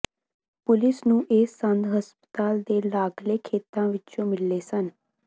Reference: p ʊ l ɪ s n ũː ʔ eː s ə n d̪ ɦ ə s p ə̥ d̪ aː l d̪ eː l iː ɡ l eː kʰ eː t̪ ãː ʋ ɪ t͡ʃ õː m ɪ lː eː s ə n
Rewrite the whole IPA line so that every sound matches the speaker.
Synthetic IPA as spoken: p ʊ l ɪ s n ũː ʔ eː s ə n d̪ ɦ ə s p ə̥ t̪ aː l d̪ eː l aː ɡ l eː kʰ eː t̪ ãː ʋ ɪ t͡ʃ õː m ɪ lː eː s ə n

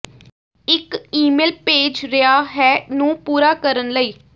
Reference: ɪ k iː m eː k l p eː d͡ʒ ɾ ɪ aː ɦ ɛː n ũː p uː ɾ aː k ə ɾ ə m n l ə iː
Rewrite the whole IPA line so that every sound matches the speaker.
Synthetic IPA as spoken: ɪ k iː m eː l p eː d͡ʒ ɾ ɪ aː ɦ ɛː n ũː p uː ɾ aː k ə ɾ ə n l ə iː

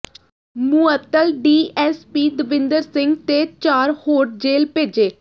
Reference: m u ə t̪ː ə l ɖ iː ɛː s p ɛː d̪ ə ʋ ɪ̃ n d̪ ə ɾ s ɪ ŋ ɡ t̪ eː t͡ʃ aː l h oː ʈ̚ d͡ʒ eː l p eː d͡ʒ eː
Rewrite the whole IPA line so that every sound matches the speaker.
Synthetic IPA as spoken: m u ə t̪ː ə l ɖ iː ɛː s p iː d̪ ə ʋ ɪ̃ n d̪ ə ɾ s ɪ ŋ ɡ t̪ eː t͡ʃ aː ɾ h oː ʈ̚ d͡ʒ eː l p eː d͡ʒ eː

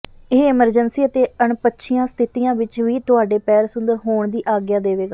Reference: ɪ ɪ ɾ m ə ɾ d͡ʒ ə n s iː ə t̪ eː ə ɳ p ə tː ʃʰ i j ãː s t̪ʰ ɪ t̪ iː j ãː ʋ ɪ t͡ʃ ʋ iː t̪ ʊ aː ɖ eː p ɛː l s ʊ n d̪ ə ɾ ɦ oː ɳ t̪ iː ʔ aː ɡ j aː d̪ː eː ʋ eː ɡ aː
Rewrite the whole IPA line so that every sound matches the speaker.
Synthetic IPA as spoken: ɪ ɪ m ə ɾ d͡ʒ ə n s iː ə t̪ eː ə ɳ p ə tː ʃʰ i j ãː s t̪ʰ ɪ t̪ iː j ãː ʋ ɪ t͡ʃ ʋ iː t̪ ʊ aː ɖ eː p ɛː ɾ s ʊ n d̪ ə ɾ ɦ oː ɳ d̪ iː ʔ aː ɡ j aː d̪ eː ʋ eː ɡ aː

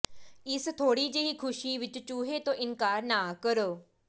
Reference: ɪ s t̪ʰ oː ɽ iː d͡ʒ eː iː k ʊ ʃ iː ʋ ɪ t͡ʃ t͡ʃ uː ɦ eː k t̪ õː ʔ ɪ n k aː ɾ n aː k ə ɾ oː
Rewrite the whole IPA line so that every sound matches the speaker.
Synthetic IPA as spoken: ɪ s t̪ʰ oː ɽ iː d͡ʒ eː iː kʰ ʊ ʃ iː ʋ ɪ t͡ʃ t͡ʃ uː ɦ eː t̪ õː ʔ ɪ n k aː ɾ n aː k ə ɾ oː

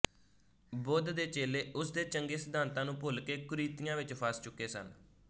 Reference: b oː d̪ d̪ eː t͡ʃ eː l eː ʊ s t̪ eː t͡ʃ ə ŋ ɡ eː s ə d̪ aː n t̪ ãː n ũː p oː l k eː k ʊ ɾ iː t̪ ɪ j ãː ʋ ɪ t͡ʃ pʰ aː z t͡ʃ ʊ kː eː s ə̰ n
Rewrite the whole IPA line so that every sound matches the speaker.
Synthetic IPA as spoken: b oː d̪ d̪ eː t͡ʃ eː l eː ʊ s d̪ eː t͡ʃ ə ŋ ɡ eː s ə d̪ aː n t̪ ãː n ũː p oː l k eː k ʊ ɾ iː t̪ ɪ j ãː ʋ ɪ t͡ʃ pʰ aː s t͡ʃ ʊ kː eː s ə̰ n

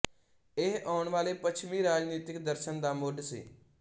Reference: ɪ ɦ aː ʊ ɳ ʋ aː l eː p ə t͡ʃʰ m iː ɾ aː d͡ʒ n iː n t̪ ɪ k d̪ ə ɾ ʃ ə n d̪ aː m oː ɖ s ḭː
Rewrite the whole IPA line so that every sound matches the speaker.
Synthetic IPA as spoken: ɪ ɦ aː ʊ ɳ ʋ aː l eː p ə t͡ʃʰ m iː ɾ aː d͡ʒ n iː t̪ ɪ k d̪ ə ɾ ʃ ə n d̪ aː m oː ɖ s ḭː

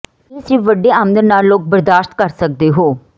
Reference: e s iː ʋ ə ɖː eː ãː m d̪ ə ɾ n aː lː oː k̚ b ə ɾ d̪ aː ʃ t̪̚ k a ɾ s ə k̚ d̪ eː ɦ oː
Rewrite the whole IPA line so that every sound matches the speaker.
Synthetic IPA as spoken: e s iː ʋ ə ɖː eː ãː m d̪ ə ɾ n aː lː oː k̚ b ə ɾ d̪ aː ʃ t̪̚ k ə ɾ s ə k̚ d̪ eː ɦ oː

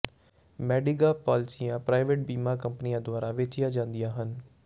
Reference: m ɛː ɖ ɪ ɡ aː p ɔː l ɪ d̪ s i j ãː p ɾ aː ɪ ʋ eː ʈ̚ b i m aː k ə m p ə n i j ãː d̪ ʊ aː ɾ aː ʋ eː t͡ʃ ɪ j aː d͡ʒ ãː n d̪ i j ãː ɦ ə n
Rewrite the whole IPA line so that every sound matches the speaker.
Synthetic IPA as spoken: m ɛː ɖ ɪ ɡ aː p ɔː l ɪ s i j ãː p ɾ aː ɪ ʋ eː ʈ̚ b iː m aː k ə m p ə n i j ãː d̪ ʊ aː ɾ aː ʋ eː t͡ʃ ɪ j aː d͡ʒ ãː n d̪ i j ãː ɦ ə n

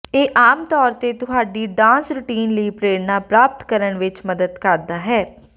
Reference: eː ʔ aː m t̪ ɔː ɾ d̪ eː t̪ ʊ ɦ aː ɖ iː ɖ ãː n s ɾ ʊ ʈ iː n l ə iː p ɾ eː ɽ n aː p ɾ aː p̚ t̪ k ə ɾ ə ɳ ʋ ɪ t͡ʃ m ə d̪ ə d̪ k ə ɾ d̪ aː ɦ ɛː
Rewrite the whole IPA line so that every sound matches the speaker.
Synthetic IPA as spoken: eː ʔ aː m t̪ ɔː ɾ t̪ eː t̪ ʊ ɦ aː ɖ iː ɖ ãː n s ɾ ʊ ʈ iː n l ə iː p ɾ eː ɽ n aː p ɾ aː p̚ t̪ k ə ɾ ə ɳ ʋ ɪ t͡ʃ m ə d̪ ə d̪ k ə ɾ d̪ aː ɦ ɛː

